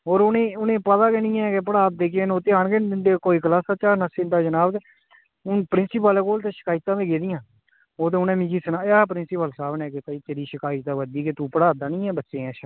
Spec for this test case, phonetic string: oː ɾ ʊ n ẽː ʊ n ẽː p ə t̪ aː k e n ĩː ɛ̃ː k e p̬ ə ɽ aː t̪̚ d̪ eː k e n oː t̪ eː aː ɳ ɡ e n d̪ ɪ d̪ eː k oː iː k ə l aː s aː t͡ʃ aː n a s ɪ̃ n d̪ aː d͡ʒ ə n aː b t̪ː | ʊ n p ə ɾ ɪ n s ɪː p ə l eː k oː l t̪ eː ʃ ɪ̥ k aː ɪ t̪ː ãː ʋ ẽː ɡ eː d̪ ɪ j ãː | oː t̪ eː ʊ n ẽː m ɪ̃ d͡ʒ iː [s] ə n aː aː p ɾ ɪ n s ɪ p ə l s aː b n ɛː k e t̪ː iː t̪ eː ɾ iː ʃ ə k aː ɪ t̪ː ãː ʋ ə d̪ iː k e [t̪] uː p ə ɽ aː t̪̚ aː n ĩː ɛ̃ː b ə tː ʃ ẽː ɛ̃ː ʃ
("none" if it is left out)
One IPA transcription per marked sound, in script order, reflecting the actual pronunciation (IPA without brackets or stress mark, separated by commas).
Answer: s, t̪